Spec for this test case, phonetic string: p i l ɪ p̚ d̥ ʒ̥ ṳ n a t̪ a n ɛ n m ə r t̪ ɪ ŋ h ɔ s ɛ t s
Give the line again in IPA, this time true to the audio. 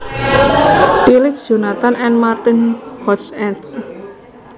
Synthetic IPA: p i l ɪ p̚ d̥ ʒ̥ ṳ n a t̪ a n ɛ n m a r t̪ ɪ n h ɔ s ɛ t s

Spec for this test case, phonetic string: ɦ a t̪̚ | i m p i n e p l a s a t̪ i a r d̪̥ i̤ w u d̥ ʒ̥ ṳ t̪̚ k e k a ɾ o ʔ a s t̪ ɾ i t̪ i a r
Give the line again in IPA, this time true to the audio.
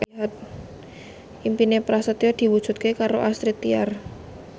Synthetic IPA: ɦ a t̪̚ | i m p i n e p ɾ a s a t̪ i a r d̪̥ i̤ w u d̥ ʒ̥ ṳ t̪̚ k e k a ɾ o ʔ a s t̪ ɾ i t̪ i a r

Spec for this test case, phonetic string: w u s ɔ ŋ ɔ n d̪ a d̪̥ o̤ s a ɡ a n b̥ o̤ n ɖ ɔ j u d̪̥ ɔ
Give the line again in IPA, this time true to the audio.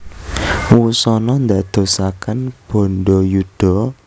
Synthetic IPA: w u s ɔ n ɔ n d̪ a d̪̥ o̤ s a k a n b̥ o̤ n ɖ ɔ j u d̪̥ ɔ

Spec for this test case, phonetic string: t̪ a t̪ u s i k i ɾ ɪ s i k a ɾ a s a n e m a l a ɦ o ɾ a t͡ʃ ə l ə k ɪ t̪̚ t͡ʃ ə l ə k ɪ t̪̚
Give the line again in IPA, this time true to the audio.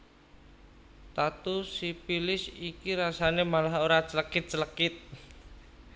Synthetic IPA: t̪ a t̪ u s i p i l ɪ s i k i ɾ a s a n e m a l a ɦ o ɾ a t͡ʃ ə l ə k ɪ t̪̚ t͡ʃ ə l ə k ɪ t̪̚

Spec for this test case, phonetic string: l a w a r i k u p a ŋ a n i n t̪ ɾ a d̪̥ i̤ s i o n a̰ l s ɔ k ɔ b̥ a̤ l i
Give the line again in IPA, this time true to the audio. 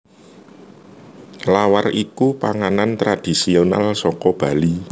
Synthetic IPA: l a w a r i k u p a ŋ a n a n t̪ ɾ a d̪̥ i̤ s i o n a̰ l s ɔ k ɔ b̥ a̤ l i

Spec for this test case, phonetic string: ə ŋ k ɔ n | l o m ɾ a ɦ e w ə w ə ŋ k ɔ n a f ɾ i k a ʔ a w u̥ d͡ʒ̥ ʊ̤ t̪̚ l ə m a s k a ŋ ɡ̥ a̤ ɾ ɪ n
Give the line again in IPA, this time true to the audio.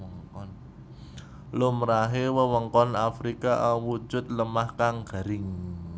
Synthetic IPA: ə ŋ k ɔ n | l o m ɾ a ɦ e w ə w ə ŋ k ɔ n a f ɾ i k a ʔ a w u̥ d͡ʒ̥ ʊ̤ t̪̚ l ə m a h k a ŋ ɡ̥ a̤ ɾ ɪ ŋ

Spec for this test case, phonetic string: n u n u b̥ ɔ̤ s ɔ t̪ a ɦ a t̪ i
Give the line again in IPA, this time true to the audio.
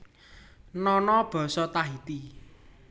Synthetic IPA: n ɔ n ɔ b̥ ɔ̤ s ɔ t̪ a ɦ i t̪ i

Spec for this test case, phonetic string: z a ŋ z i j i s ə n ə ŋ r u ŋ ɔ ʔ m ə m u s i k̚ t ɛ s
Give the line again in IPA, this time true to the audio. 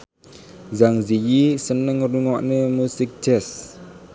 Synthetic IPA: z a ŋ z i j i s ə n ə ŋ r u ŋ ɔ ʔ n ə m u s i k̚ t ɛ s

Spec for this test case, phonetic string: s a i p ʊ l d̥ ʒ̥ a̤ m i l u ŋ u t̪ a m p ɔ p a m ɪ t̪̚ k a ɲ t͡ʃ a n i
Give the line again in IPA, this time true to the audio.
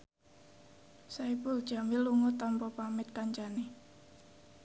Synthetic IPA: s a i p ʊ l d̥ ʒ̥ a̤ m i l u ŋ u t̪ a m p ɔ p a m ɪ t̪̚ k a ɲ t͡ʃ a n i

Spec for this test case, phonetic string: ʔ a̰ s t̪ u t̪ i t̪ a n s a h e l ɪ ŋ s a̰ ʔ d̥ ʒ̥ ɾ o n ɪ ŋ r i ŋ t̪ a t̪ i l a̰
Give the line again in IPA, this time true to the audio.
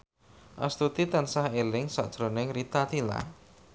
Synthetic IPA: ʔ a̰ s t̪ u t̪ i t̪ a n s a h e l ɪ ŋ s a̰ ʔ d̥ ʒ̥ ɾ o n ɪ ŋ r i t̪ a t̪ i l a̰

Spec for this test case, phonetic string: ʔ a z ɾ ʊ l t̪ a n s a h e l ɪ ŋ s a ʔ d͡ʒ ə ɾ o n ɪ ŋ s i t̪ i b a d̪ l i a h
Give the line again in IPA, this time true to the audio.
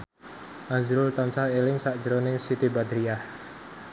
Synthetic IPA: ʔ a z ɾ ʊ l t̪ a n s a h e l ɪ ŋ s a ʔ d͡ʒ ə ɾ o n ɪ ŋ s i t̪ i b a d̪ ɾ i a h

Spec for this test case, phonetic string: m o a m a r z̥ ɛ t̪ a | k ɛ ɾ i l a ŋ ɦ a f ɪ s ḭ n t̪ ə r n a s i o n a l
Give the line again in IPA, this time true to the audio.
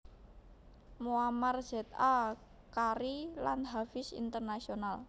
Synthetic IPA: m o a m a r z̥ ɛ t̪ a | k a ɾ i l a n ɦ a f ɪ s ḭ n t̪ ə r n a s i o n a l

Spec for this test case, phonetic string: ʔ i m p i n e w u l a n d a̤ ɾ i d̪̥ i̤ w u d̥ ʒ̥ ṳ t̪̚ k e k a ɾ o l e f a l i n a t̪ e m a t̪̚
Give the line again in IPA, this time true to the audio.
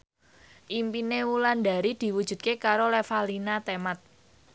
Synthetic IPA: ʔ i m p i n e w u l a n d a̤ ɾ i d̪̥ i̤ w u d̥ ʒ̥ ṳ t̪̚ k e k a ɾ o l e f a l i n a t̪ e m a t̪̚

